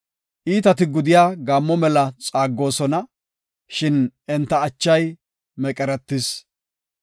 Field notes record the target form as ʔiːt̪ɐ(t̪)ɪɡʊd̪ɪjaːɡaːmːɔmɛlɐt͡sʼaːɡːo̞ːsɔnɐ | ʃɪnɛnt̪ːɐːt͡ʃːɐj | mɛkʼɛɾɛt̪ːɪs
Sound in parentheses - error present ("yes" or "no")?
no